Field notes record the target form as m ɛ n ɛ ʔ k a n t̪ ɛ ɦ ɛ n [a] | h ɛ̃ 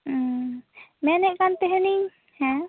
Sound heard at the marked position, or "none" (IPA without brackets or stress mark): i